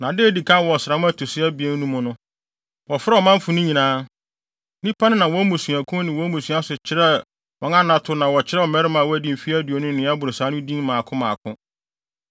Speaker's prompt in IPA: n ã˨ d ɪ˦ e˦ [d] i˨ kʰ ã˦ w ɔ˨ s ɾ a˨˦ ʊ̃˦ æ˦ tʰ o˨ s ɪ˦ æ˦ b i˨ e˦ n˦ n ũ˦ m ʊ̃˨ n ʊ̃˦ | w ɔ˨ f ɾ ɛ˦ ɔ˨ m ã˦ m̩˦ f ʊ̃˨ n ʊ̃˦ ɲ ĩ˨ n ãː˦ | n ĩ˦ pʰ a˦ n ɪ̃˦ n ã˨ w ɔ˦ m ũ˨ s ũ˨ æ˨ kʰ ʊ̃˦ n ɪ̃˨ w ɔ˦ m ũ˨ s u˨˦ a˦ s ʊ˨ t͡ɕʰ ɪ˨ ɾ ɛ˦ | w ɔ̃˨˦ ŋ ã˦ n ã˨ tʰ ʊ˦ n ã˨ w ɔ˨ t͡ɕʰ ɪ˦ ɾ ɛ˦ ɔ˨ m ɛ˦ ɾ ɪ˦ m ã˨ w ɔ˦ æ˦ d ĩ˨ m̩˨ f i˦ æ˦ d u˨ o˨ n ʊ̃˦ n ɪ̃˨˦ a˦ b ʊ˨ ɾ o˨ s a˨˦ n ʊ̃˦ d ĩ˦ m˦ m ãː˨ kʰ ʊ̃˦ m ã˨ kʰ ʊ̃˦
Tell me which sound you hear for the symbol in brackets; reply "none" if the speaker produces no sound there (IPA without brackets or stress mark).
d